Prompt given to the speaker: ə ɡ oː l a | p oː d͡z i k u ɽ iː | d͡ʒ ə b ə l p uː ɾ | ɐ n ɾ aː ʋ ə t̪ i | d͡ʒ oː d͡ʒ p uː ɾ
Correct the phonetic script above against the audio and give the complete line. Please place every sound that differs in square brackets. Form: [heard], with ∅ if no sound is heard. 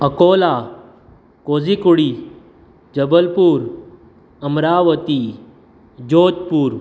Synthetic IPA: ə [k] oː l a | [k] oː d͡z i k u ɽ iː | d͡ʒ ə b ə l p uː ɾ | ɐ [m] ɾ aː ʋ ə t̪ i | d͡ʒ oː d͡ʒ p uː ɾ